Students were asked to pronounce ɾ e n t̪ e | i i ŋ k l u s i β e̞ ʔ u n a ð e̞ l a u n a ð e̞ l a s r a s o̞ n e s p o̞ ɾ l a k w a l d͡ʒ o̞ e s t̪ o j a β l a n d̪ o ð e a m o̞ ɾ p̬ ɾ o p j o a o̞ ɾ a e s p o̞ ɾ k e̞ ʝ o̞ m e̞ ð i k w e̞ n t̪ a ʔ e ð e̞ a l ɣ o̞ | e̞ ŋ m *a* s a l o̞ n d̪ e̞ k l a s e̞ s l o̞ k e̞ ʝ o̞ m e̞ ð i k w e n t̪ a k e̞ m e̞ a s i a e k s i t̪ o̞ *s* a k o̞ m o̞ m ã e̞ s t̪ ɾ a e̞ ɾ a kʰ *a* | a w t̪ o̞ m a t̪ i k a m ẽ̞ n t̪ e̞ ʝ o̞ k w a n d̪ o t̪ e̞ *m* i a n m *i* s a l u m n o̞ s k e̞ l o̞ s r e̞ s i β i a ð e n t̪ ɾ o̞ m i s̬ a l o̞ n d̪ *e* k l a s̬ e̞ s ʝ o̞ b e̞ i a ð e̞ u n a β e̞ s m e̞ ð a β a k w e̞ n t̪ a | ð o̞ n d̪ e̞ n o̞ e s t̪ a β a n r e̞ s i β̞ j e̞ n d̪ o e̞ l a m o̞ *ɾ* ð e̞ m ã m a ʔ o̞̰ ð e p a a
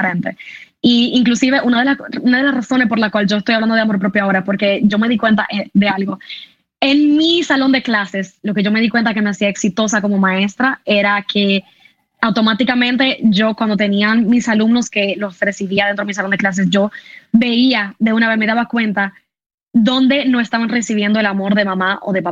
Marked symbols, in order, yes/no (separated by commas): no, yes, no, no, yes, yes, yes